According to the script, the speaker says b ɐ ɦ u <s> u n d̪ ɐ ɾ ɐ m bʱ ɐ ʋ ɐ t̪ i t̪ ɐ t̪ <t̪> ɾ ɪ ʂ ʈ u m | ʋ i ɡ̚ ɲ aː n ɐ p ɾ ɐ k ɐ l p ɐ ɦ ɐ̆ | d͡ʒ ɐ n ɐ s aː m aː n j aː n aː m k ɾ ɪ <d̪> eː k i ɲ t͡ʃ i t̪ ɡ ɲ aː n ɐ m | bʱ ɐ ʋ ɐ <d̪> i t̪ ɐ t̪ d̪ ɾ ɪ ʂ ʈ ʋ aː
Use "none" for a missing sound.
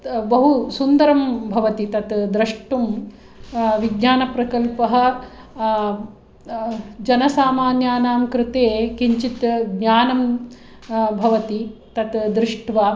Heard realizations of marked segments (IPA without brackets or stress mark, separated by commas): s, d̪, t̪, t̪